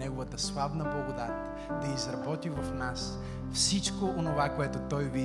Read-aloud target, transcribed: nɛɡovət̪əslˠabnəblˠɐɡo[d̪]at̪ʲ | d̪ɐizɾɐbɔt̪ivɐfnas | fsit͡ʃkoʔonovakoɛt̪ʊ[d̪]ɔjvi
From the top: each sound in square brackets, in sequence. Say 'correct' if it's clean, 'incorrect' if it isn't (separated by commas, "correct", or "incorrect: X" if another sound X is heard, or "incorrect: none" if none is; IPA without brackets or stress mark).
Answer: correct, incorrect: t̪